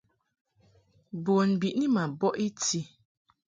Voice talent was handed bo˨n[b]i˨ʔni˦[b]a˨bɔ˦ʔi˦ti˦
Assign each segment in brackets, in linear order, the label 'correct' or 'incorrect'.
correct, incorrect: m

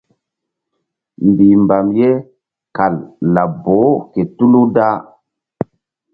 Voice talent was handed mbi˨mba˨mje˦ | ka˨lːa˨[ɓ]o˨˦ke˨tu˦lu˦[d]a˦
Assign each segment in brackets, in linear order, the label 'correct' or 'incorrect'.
incorrect: b, correct

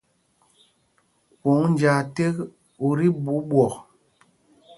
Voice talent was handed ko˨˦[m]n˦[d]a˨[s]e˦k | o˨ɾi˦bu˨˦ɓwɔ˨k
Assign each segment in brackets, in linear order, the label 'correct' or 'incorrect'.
incorrect: ŋ, incorrect: d͡ʒ, incorrect: t

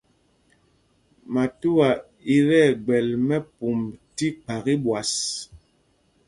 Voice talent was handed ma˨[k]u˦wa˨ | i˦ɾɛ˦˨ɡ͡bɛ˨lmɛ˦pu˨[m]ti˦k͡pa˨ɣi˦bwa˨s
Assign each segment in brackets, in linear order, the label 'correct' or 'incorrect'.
incorrect: t, correct

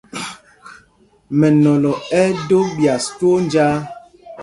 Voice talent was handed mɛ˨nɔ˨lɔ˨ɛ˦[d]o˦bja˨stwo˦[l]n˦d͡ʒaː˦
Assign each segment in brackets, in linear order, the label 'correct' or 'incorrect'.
correct, incorrect: none

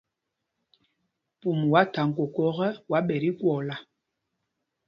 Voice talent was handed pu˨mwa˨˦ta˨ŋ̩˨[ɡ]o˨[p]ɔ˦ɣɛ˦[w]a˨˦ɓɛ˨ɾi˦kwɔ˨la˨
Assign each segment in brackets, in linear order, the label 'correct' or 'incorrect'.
incorrect: k, incorrect: k, correct

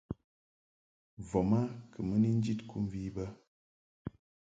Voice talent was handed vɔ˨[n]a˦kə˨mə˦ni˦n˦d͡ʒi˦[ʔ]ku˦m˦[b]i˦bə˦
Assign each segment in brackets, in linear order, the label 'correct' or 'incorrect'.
incorrect: m, incorrect: t, incorrect: v

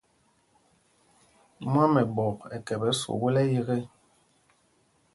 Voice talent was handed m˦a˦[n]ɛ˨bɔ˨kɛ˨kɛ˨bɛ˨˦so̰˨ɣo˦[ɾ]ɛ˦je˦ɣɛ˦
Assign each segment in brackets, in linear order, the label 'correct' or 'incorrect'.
incorrect: m, incorrect: l

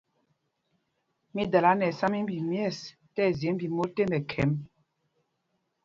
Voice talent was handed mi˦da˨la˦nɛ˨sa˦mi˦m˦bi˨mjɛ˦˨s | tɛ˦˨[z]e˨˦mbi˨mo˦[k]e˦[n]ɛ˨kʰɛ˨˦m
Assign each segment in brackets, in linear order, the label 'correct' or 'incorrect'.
correct, incorrect: t, incorrect: m

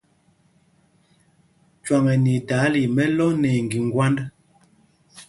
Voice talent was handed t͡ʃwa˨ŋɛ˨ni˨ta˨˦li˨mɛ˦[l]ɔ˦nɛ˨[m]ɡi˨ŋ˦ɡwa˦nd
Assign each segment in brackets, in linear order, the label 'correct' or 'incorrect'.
correct, incorrect: ŋ

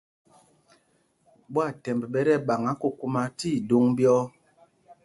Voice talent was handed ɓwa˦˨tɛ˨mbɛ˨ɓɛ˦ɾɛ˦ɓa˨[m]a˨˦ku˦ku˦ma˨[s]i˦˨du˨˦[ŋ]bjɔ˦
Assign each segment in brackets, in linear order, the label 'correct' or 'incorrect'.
incorrect: ŋ, incorrect: t, correct

